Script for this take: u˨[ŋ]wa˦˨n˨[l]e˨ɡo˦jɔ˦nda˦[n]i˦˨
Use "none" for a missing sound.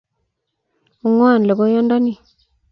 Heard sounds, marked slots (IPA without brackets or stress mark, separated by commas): ŋ, l, n